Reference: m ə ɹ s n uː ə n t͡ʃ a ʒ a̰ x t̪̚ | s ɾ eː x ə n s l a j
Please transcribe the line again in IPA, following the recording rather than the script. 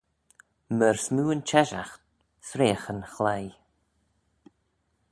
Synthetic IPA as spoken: m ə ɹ s m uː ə n t͡ʃ ɛ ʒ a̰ x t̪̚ | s ɾ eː x ə n x l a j